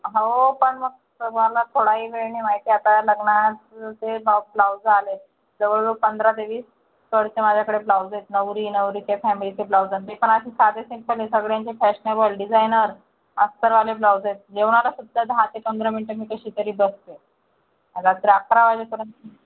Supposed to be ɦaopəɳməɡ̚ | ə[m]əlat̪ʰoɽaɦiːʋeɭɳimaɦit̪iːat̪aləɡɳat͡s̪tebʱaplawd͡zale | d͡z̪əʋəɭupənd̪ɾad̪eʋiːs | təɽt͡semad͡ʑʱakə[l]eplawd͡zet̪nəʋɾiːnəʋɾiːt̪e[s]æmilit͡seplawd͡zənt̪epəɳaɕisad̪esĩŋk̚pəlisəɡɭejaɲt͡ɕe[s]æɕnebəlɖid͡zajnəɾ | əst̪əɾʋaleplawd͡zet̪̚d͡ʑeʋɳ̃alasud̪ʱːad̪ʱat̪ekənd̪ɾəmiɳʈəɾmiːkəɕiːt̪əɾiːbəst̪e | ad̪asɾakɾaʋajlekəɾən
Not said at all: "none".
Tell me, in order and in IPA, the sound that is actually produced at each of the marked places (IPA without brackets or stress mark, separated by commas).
m, ɽ, f, f